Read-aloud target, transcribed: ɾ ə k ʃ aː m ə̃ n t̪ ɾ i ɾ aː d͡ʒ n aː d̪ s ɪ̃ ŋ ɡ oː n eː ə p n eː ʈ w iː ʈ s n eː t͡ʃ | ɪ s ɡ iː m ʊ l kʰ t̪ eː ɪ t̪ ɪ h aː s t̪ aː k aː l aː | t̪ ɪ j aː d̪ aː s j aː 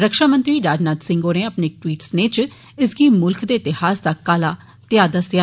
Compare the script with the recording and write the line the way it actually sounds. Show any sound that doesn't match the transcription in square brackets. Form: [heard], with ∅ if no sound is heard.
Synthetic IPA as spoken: ɾ ə k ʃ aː m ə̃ n t̪ ɾ [iː] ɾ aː d͡ʒ n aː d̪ s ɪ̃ ŋ ɡ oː n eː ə p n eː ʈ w iː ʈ s n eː t͡ʃ | ɪ s ɡ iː m ʊ l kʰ [d̪] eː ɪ t̪ ɪ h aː s [d̪] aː k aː l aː | t̪ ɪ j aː d̪ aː s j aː